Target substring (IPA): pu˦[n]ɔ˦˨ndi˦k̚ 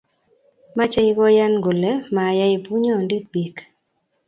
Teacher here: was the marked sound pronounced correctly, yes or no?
no